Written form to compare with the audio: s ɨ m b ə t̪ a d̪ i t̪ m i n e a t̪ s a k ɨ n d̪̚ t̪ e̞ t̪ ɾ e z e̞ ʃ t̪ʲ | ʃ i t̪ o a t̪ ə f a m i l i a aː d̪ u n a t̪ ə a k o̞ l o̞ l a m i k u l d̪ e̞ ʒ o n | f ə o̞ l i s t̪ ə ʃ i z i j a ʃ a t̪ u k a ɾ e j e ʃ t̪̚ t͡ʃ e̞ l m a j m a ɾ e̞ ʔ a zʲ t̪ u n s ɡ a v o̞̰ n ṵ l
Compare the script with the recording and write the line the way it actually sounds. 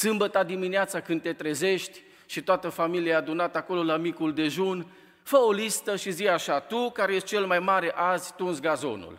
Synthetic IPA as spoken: s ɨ m b ə t̪ a d̪ i m i n e a t̪ s a k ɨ n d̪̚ t̪ e̞ t̪ ɾ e z e̞ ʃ t̪ʲ | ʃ i t̪ o a t̪ ə f a m i l i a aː d̪ u n a t̪ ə a k o̞ l o̞ l a m i k u l d̪ e̞ ʒ u n | f ə o̞ l i s t̪ ə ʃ i z i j a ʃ a t̪ u k a ɾ e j e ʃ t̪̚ t͡ʃ e̞ l m a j m a ɾ e̞ ʔ a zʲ t̪ u n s ɡ a z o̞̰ n ṵ l